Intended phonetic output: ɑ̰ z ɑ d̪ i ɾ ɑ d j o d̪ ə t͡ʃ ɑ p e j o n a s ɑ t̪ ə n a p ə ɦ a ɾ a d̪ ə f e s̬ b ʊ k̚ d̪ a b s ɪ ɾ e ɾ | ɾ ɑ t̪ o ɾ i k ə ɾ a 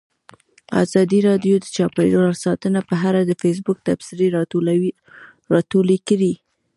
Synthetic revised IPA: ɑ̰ z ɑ d̪ i ɾ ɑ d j o d̪ ə t͡ʃ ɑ p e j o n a s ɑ t̪ ə n a p ə ɦ a ɾ a d̪ ə f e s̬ b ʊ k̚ t̪ a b s ɪ ɾ e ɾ | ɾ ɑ t̪ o l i k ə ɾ i